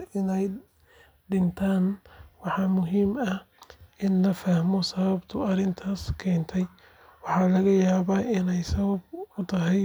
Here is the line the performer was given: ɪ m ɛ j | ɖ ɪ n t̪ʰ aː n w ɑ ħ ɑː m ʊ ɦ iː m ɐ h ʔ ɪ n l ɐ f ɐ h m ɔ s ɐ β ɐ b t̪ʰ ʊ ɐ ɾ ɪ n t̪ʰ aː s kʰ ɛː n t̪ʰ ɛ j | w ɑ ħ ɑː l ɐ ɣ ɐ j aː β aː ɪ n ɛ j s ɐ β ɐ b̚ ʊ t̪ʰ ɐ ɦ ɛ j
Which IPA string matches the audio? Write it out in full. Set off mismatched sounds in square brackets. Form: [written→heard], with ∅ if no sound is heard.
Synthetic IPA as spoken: ɪ [m→n] ɛ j | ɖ ɪ n t̪ʰ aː n w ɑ ħ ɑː m ʊ ɦ iː m ɐ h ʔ ɪ n l ɐ f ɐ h m ɔ s ɐ β ɐ b t̪ʰ ʊ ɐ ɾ ɪ n t̪ʰ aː s kʰ ɛː n t̪ʰ ɛ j | w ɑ ħ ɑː l ɐ ɣ ɐ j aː β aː ɪ n ɛ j s ɐ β ɐ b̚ ʊ t̪ʰ ɐ ɦ ɛ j